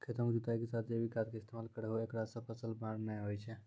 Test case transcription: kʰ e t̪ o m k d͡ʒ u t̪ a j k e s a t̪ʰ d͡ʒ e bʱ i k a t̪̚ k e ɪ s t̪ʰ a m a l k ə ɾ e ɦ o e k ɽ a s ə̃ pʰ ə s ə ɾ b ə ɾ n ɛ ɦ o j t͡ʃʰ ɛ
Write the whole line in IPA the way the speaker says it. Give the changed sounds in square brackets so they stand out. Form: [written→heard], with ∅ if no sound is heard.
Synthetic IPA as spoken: kʰ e t̪ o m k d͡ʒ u t̪ a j k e s a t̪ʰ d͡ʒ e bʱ i k a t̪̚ k e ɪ s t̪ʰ [a→e] m a l k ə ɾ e ɦ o e k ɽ a s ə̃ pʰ ə s ə [ɾ→l] b [ə→a] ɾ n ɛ ɦ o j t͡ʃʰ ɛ